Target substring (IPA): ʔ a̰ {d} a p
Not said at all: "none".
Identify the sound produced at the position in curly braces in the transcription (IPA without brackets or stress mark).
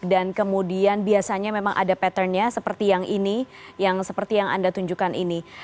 d